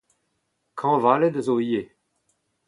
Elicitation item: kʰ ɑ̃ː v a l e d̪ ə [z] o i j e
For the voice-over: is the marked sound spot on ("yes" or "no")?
yes